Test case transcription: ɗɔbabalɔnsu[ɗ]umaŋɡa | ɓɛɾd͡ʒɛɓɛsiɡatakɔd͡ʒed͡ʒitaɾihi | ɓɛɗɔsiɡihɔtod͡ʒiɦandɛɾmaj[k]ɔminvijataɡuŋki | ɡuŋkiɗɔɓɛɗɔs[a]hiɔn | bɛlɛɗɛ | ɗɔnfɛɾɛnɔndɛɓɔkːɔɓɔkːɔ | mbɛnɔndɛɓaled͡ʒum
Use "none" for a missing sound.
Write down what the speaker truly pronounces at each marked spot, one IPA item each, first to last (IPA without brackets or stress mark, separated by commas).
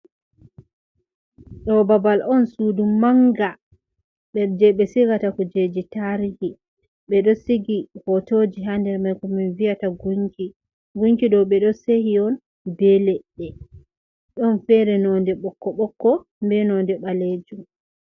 d, k, e